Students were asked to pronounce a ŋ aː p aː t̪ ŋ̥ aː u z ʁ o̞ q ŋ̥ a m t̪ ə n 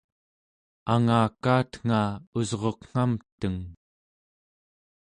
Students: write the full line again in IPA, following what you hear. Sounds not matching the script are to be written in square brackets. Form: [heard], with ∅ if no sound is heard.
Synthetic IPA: a ŋ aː [k] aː t̪ ŋ̥ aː u z ʁ o̞ q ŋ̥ a m t̪ ə [ŋ]

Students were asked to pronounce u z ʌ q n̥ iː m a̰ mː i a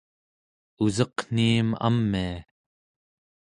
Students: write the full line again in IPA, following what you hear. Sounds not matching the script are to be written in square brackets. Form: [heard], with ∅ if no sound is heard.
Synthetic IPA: u z ʌ q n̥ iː m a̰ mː i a

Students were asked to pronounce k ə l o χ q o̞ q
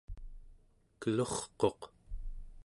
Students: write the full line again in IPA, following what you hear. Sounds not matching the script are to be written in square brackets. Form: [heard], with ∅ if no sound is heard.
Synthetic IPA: k ə l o χ q o̞ q

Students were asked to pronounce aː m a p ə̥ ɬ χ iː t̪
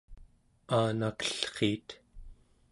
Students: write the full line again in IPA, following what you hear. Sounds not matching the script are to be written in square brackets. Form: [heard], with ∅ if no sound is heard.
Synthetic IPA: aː [n] a [k] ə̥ ɬ χ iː t̪

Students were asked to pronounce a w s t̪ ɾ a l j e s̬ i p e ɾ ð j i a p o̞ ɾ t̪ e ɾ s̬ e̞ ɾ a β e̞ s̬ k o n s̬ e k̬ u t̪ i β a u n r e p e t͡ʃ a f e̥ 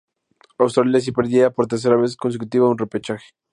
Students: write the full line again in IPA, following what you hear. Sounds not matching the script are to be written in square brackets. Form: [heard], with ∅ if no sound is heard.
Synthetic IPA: a w s t̪ ɾ a l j [a] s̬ i p e ɾ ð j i a p o̞ ɾ t̪ e ɾ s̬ e̞ ɾ a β e̞ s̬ k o n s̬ e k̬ u t̪ i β a u n r e p e t͡ʃ a [x] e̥

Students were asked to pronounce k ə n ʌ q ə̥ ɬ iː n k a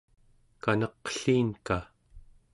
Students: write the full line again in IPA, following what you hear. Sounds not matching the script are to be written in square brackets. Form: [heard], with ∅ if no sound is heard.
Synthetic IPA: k [a] n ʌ q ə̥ ɬ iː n k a

